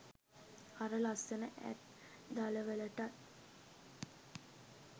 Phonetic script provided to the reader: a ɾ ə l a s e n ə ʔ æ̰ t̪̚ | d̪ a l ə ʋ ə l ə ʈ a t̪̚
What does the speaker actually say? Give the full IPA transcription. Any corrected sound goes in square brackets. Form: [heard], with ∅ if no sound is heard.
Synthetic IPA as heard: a ɾ ə l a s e n ə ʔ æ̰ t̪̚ | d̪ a l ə ʋ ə l ə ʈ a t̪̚